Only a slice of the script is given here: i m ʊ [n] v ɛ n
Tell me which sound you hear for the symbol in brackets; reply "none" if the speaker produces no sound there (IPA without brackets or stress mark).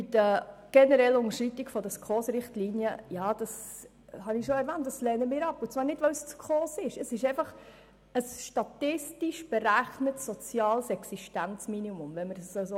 m